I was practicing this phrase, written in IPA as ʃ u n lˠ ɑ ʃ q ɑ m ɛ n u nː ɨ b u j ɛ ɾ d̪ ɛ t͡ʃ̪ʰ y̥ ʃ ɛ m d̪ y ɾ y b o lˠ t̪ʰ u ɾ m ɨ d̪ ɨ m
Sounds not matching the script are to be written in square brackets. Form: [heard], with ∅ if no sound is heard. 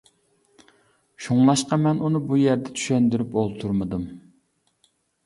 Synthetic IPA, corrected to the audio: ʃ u [ŋ] lˠ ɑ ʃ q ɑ m ɛ n u [n] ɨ b u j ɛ ɾ d̪ ɛ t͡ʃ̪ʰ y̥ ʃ ɛ [n] d̪ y ɾ y [p] o lˠ t̪ʰ u ɾ m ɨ d̪ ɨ m